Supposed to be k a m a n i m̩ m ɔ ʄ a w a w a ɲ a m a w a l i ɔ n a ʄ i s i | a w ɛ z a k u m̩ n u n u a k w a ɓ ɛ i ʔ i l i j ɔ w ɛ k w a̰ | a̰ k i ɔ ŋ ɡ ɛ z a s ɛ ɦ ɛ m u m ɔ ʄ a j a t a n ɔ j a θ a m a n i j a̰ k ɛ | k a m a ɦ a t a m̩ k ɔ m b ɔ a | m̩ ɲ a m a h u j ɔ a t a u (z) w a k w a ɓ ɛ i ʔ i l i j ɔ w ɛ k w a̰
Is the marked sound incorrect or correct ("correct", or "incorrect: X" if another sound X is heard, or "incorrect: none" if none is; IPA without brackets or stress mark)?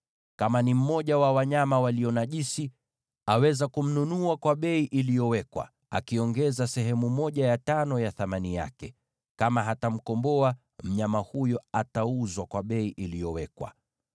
correct